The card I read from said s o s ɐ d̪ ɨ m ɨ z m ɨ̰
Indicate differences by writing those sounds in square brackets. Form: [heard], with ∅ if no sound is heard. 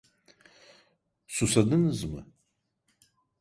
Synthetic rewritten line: s [u] s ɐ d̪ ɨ [n] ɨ z m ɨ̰